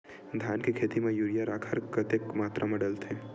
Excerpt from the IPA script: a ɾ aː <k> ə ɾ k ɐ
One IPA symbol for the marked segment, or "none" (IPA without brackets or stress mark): kʰ